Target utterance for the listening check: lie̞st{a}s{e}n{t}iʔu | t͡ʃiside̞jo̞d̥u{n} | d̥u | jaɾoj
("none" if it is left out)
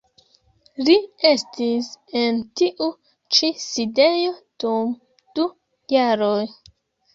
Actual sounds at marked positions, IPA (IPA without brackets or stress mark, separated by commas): i, e, t, m